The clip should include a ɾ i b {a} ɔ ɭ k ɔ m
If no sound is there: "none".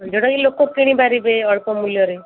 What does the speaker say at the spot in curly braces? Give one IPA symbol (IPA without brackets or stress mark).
e